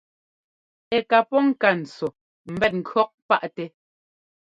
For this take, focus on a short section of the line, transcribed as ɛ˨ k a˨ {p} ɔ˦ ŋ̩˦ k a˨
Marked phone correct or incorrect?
correct